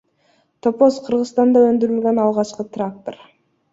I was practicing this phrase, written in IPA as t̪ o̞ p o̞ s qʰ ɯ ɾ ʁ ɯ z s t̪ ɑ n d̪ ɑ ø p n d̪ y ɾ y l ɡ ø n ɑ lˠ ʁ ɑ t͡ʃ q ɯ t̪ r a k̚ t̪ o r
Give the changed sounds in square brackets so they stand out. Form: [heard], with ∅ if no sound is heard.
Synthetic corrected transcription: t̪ o̞ p o̞ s qʰ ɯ ɾ ʁ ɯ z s t̪ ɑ n d̪ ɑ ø [∅] n d̪ y ɾ y l ɡ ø n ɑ lˠ ʁ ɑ t͡ʃ q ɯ t̪ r a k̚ t̪ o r

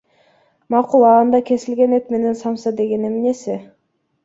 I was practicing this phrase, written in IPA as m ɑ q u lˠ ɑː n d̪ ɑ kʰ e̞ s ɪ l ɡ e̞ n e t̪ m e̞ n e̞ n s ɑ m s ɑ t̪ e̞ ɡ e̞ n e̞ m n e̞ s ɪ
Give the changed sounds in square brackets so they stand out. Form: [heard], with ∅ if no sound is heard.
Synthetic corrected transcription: m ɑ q u lˠ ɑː n d̪ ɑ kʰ e̞ s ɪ l ɡ e̞ n e t̪ m e̞ n e̞ n s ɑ m s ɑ [d̪] e̞ ɡ e̞ n e̞ m n e̞ s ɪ

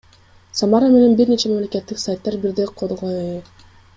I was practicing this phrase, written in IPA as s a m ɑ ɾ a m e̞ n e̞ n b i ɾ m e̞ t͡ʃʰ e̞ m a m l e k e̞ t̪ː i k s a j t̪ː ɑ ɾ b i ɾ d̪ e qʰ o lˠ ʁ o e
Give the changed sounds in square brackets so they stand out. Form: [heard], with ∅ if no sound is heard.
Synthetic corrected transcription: s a m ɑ ɾ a m e̞ n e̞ n b i ɾ [n] e̞ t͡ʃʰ e̞ m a m l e k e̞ t̪ː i k s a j t̪ː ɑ ɾ b i ɾ d̪ e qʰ o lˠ ʁ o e

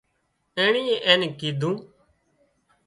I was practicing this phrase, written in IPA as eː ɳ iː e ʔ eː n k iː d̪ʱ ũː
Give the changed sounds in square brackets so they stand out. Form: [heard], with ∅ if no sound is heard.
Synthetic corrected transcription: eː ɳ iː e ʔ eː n k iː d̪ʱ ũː

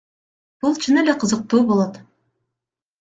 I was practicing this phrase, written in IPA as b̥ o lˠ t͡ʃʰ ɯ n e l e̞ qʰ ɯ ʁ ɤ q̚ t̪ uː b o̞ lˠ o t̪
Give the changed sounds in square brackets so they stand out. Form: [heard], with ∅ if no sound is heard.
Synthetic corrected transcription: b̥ [u] lˠ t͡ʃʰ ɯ n e l e̞ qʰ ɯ [z] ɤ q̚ t̪ uː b o̞ lˠ o t̪

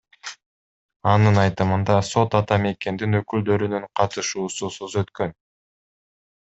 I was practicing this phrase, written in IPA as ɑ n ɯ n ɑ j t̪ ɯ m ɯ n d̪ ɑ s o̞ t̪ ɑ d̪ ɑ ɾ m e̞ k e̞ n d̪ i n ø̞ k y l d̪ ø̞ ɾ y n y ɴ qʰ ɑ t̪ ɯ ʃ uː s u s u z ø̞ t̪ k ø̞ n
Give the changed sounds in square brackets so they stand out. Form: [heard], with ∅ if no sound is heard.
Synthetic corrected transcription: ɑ n ɯ n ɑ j t̪ ɯ m ɯ n d̪ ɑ s o̞ t̪ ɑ [t̪] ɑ [∅] m e̞ k e̞ n d̪ i n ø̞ k y l d̪ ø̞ ɾ y n y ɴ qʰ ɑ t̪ ɯ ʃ uː s u s u z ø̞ t̪ k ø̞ n

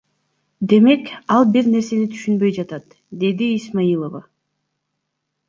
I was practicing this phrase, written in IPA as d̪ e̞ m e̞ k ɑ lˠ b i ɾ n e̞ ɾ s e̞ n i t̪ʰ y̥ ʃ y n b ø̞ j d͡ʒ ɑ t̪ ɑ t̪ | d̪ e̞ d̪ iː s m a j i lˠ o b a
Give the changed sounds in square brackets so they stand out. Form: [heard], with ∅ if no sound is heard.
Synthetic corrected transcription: d̪ e̞ m e̞ k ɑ lˠ b i ɾ n e̞ ɾ s e̞ n i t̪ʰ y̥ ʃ y n b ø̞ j d͡ʒ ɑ t̪ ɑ t̪ | d̪ e̞ d̪ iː s m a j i lˠ o [v] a

